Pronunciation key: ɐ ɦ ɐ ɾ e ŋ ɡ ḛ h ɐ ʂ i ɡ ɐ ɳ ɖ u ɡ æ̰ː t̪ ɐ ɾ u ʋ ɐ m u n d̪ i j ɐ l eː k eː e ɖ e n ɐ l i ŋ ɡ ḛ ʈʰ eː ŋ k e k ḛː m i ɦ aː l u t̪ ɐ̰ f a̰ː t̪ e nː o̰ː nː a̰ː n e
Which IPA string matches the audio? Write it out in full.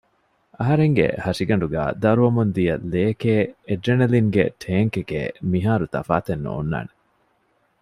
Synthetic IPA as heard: ɐ ɦ ɐ ɾ e ŋ ɡ ḛ h ɐ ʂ i ɡ ɐ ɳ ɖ u ɡ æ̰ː d̪ ɐ ɾ u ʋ ɐ m u n d̪ i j ɐ l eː k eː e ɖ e n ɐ l i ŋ ɡ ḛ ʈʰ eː ŋ k e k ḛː m i ɦ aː ɾ u t̪ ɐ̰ f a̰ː t̪ e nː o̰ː nː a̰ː n e